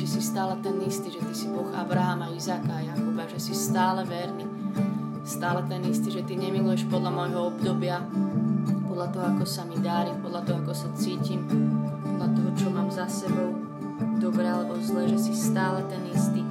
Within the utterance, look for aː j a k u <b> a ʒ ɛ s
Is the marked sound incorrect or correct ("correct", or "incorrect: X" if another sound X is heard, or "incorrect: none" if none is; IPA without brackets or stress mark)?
correct